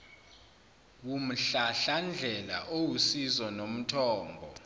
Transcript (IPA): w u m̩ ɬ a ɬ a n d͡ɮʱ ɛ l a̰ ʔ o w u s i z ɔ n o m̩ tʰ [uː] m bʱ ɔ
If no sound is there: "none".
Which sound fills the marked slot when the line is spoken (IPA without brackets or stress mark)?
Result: ɔː